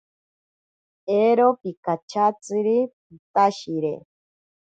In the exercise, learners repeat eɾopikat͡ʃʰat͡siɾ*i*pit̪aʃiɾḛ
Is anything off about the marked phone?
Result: no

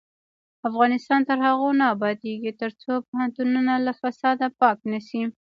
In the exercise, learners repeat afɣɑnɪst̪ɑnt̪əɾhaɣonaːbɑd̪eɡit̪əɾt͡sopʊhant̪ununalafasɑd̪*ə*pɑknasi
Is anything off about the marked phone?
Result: yes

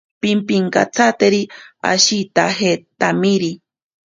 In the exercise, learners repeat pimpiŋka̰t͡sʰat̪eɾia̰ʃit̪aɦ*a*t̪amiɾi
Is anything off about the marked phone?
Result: yes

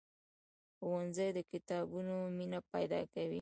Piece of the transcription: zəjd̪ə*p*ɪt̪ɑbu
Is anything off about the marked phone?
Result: yes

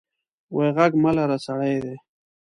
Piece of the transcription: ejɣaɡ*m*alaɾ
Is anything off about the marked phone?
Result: no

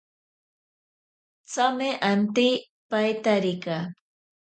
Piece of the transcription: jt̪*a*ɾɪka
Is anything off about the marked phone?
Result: no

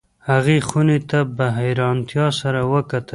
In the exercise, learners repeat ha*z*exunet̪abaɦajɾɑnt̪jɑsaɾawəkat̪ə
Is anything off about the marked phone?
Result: yes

